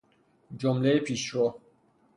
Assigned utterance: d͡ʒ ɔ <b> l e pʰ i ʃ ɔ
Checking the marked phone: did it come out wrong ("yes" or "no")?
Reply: yes